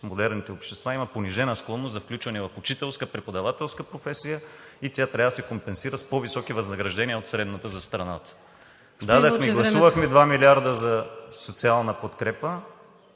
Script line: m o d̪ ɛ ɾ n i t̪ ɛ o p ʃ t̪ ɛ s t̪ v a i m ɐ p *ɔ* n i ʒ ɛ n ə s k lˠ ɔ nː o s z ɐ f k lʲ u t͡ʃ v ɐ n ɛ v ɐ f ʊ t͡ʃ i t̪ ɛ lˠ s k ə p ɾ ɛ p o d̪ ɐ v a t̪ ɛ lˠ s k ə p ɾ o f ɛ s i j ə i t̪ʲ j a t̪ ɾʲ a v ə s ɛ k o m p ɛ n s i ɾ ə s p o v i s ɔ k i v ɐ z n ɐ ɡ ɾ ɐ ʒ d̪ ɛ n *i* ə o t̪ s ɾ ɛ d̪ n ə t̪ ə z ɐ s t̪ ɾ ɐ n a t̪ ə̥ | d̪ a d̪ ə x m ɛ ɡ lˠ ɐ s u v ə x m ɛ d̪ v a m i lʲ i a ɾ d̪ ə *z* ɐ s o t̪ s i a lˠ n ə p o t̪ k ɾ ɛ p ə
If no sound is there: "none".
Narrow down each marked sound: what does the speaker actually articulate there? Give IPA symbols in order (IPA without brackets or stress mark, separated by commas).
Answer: o, i, z